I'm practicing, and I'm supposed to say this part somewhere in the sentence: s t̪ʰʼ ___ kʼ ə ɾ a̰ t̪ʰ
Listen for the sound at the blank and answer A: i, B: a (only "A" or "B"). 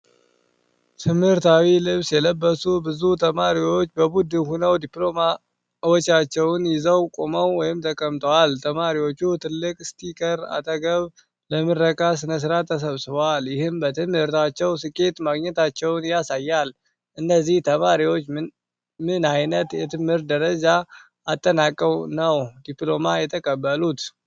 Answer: A